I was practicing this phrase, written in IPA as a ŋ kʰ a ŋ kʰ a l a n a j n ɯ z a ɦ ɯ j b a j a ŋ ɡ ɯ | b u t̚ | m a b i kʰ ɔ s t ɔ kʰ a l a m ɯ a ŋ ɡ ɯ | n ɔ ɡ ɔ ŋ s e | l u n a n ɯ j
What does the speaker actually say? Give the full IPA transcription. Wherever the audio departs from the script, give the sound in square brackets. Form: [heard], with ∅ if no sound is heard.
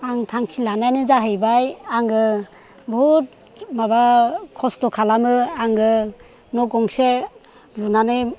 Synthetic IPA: a ŋ [tʰ] a ŋ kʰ [i] l a n a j n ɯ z a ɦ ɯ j b a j a ŋ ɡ ɯ | b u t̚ | m a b [a] kʰ ɔ s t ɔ kʰ a l a m ɯ a ŋ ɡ ɯ | n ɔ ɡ ɔ ŋ s e | l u n a n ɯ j